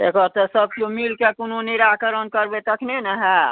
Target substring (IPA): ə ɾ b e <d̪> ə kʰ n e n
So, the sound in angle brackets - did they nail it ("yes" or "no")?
no